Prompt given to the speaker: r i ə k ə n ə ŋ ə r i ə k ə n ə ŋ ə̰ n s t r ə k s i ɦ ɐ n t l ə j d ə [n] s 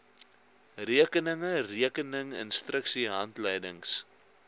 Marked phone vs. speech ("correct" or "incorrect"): incorrect